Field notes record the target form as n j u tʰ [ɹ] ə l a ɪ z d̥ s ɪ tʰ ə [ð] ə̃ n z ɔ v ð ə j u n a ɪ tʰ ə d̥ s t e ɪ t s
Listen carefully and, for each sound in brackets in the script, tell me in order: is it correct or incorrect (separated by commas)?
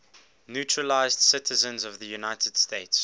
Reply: correct, incorrect